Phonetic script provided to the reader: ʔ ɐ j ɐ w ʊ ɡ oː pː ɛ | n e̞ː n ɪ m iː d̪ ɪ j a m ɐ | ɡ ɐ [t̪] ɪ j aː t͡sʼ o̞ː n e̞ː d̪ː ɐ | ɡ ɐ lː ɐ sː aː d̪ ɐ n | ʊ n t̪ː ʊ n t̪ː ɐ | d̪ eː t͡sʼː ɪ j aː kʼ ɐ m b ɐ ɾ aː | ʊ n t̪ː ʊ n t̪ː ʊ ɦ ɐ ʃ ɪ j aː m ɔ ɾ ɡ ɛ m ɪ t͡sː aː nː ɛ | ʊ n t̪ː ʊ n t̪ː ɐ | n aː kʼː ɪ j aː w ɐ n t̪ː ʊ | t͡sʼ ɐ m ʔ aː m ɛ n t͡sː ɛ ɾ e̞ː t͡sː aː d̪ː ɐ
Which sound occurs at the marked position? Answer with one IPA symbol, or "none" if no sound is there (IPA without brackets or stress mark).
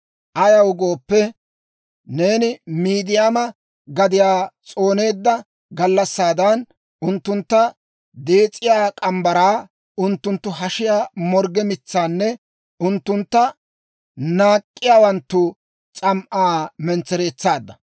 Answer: d̪